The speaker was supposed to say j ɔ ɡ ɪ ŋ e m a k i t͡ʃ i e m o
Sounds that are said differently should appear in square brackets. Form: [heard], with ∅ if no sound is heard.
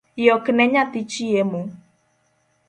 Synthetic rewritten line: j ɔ [k] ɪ [n] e [ɲ] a [t] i t͡ʃ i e m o